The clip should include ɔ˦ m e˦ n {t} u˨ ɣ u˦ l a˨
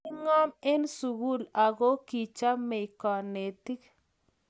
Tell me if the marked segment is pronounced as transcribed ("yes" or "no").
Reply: no